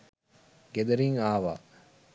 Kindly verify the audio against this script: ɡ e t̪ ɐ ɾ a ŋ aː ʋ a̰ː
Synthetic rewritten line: ɡ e d̪ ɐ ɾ i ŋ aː ʋ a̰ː